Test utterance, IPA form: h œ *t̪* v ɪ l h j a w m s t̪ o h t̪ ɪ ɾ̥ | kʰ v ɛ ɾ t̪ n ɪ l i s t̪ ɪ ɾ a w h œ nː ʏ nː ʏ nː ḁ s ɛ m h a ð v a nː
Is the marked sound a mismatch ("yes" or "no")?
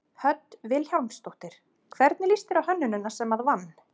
no